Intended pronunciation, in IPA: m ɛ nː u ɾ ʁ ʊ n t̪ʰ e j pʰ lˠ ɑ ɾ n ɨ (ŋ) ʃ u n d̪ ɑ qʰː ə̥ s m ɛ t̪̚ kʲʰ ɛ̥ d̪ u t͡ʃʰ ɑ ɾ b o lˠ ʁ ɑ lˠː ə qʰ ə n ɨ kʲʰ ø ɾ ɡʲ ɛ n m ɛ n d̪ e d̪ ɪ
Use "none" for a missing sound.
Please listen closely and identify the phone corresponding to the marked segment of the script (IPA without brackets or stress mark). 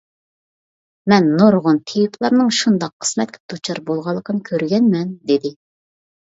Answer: ŋ